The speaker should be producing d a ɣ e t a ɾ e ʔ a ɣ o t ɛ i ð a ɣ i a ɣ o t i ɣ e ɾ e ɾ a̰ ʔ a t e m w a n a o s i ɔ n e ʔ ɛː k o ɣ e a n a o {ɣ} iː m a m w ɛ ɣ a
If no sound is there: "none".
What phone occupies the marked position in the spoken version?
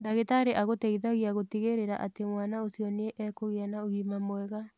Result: ɣ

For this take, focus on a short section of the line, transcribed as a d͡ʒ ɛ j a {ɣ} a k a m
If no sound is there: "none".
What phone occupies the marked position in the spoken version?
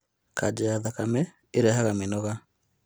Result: ð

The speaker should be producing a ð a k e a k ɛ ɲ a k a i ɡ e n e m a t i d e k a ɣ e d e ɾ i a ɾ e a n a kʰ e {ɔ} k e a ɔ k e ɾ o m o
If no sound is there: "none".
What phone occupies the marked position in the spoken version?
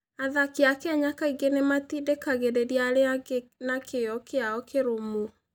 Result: ɔ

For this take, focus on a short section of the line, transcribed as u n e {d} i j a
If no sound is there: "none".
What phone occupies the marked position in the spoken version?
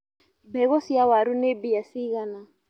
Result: b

